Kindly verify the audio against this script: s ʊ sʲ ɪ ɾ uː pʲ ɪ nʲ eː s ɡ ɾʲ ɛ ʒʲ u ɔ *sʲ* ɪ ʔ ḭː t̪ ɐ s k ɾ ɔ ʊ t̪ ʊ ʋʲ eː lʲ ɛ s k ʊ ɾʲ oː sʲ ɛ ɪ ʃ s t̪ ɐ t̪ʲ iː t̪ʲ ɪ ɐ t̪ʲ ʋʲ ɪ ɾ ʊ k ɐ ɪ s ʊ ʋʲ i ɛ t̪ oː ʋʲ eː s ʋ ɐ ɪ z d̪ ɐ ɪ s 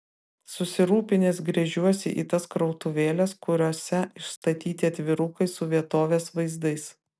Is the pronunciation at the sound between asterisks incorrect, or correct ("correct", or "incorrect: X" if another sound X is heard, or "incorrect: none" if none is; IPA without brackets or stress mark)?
correct